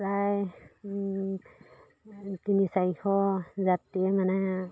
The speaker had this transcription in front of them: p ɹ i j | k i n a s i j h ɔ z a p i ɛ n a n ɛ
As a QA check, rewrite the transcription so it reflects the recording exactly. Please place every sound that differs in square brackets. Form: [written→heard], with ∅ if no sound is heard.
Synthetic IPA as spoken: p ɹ [i→a] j | [k→t] i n [a→i] s [i→a] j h ɔ z a [p→t] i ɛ [n→m] a n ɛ